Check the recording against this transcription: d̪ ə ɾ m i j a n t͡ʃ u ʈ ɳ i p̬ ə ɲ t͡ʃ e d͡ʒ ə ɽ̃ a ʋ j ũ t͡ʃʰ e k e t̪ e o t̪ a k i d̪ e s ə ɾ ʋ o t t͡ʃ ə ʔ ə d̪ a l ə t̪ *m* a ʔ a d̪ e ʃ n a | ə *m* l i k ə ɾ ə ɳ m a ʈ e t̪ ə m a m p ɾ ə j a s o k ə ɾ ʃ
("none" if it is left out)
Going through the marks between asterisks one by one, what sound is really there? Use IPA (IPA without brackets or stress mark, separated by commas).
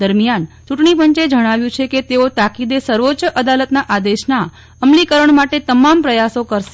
n, m